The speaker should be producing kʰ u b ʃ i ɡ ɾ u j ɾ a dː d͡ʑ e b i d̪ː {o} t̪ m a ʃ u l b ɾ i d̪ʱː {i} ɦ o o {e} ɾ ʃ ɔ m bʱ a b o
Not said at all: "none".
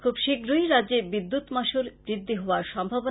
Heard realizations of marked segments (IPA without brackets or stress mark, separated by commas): u, i, a